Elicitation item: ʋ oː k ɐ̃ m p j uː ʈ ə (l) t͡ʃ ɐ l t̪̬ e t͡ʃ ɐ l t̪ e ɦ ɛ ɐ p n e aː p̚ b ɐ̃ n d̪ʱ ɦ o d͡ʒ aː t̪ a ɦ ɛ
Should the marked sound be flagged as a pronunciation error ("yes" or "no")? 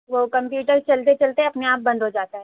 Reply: yes